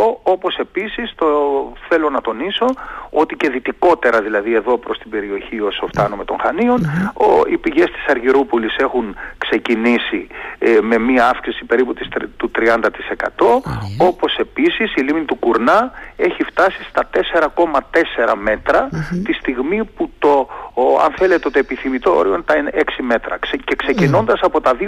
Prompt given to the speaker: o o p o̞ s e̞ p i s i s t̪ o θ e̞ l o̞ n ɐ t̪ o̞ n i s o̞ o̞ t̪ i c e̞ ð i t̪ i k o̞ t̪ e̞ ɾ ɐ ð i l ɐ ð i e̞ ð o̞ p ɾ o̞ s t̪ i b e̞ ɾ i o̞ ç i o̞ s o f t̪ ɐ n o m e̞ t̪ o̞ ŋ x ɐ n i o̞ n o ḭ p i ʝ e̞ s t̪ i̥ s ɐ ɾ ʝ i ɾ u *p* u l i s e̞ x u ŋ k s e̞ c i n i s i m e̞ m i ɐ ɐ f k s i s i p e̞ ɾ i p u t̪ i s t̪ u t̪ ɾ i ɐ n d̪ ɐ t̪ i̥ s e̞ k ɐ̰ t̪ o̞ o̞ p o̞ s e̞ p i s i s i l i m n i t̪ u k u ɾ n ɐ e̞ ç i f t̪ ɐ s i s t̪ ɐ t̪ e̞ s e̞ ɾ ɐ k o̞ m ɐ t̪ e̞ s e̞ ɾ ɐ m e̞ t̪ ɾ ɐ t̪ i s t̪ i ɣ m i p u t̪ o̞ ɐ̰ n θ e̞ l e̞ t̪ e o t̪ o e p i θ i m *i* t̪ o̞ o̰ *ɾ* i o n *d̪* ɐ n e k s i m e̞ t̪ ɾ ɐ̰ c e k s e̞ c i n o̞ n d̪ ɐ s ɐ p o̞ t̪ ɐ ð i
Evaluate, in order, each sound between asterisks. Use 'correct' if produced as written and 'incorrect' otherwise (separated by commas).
correct, correct, correct, incorrect